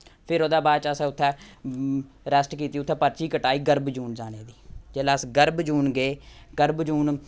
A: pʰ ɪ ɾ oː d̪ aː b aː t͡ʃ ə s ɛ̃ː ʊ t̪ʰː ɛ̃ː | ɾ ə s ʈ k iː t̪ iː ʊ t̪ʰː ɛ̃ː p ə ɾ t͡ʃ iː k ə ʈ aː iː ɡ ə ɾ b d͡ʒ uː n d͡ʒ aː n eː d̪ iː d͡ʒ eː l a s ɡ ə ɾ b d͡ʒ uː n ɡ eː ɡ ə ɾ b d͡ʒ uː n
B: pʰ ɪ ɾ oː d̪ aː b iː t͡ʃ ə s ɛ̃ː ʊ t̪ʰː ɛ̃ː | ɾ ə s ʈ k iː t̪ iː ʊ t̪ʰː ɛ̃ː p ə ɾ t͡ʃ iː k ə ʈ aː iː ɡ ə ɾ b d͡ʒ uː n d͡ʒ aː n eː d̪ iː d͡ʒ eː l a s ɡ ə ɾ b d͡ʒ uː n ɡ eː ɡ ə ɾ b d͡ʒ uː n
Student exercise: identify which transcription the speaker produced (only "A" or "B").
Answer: A